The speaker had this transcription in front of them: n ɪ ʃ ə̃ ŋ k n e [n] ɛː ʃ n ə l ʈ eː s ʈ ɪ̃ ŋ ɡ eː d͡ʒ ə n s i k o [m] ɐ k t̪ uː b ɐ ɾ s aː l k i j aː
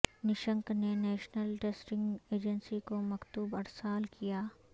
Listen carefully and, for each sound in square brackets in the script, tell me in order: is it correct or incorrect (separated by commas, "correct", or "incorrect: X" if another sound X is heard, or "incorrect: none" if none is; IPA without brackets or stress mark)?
correct, correct